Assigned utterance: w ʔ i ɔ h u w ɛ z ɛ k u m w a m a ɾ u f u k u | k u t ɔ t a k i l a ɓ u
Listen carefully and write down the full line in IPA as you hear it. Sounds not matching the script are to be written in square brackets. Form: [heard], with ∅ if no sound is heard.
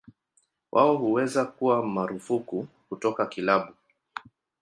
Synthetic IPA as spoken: w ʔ [a] ɔ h u w ɛ z [a] k u [∅] w a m a ɾ u f u k u | k u t ɔ [k] a k i l a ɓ u